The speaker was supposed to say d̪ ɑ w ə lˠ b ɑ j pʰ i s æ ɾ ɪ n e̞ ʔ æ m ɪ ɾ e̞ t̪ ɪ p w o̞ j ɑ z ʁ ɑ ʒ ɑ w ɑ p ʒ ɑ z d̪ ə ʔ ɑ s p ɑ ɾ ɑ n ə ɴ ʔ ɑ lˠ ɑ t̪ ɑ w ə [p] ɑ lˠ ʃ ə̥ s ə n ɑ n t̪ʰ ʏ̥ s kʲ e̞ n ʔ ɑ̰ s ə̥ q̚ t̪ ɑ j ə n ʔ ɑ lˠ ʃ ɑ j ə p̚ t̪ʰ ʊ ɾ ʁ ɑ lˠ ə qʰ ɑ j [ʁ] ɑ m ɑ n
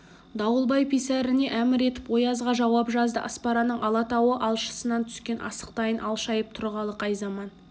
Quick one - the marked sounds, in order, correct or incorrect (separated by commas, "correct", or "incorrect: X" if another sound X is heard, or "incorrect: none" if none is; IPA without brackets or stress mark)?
incorrect: ʔ, incorrect: z